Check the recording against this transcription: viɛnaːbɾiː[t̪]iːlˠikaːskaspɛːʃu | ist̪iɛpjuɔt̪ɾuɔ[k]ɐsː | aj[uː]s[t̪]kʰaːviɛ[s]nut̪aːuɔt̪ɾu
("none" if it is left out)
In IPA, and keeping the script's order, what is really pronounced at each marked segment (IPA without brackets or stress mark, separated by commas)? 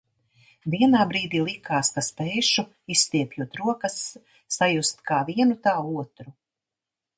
d̪, k, u, t̪, none